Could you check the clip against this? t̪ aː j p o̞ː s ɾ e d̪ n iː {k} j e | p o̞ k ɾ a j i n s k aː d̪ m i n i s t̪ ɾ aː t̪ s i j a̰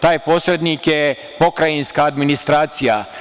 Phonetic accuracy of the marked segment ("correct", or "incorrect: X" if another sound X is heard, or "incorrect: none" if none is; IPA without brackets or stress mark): correct